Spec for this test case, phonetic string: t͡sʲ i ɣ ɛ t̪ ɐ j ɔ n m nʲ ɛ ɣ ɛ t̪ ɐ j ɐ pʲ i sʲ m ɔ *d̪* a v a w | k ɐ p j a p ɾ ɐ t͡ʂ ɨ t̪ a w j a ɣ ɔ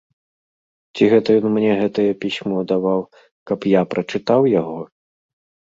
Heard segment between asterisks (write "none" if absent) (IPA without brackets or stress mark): d̪